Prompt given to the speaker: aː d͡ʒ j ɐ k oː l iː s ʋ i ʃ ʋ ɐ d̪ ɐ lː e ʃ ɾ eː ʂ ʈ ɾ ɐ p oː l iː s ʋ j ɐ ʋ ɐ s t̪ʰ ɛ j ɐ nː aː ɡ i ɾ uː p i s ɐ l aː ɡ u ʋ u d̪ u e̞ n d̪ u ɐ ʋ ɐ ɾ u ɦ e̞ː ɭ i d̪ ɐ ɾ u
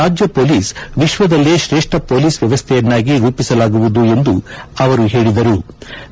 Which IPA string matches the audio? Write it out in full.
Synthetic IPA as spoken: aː d͡ʒ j ɐ p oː l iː s ʋ i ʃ ʋ ɐ d̪ ɐ lː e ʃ ɾ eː ʂ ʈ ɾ ɐ p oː l iː s ʋ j ɐ ʋ ɐ s t̪ʰ ɛ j ɐ nː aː ɡ i ɾ uː p i s ɐ l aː ɡ u ʋ u d̪ u e̞ n d̪ u ɐ ʋ ɐ ɾ u ɦ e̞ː ɭ i d̪ ɐ ɾ u